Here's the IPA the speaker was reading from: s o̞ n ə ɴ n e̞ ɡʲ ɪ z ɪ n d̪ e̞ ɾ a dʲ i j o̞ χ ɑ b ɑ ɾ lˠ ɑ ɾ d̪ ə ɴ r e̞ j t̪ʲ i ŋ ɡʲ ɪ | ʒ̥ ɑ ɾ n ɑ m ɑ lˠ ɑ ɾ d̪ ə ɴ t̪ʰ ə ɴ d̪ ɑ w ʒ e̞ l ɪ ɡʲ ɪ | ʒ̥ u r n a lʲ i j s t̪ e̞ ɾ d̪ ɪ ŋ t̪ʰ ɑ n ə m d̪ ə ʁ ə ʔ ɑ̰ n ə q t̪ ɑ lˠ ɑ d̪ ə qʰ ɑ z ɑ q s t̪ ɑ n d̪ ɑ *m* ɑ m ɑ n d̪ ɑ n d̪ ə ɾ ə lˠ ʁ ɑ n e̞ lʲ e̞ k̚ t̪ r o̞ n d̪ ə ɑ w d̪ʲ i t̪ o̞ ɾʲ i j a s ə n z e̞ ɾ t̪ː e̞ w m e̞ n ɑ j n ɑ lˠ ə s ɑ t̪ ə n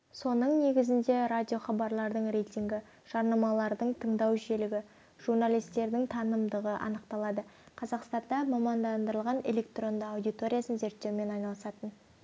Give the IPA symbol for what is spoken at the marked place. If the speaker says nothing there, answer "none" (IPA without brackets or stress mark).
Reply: m